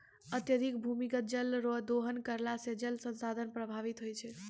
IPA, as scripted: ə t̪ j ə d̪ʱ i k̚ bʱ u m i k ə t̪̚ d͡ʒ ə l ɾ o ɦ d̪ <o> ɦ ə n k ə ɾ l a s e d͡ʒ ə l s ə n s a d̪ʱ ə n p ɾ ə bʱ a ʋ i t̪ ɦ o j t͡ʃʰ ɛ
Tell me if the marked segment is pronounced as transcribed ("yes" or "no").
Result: yes